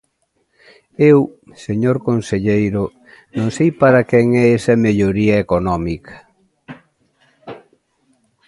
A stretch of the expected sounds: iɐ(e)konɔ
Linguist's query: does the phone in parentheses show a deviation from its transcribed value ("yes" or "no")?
no